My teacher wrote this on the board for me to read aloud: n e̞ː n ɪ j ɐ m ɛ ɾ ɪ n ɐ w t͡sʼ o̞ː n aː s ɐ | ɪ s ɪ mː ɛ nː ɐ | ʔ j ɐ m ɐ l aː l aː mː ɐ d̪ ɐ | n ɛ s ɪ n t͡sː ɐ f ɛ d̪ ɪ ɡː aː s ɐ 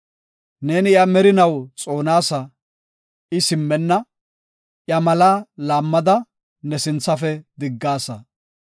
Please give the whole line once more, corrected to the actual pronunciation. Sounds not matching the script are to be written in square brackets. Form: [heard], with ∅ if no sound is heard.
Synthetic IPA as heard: n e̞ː n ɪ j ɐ m ɛ ɾ ɪ n ɐ w t͡sʼ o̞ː n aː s ɐ | ɪ s ɪ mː ɛ nː ɐ | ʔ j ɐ m ɐ l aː l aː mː ɐ d̪ ɐ | n ɛ s ɪ n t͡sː ɐ f ɛ d̪ ɪ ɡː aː s ɐ